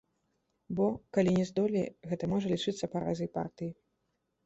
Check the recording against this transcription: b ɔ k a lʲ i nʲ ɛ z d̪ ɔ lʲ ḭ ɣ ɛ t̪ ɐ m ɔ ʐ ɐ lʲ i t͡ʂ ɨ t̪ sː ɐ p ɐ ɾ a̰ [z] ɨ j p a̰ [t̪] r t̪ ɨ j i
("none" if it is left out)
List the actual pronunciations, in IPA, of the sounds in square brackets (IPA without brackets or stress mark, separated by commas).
z, none